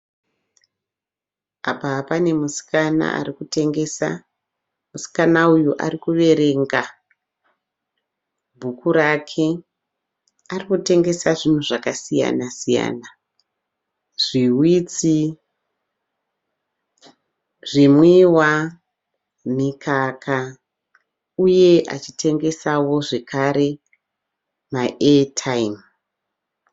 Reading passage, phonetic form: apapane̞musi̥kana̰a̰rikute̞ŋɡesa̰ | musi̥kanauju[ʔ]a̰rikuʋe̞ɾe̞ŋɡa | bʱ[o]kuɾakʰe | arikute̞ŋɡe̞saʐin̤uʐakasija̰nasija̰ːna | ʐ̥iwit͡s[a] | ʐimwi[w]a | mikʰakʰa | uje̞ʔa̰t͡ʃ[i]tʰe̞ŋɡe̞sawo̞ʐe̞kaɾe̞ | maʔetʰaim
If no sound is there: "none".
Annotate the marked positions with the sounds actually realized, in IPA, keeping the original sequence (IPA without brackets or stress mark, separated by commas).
ʔ, u, i, w, i